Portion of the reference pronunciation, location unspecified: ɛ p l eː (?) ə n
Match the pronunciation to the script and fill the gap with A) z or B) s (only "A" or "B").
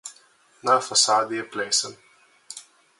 B